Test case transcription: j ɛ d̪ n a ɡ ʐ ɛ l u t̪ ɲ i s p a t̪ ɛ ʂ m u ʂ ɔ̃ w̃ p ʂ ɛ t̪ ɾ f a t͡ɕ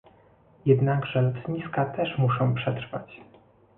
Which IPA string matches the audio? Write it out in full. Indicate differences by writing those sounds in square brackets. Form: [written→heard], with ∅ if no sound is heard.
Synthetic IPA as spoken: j ɛ d̪ n a ɡ ʐ ɛ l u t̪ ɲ i s [p→k] a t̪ ɛ ʂ m u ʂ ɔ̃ w̃ p ʂ ɛ t̪ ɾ f a t͡ɕ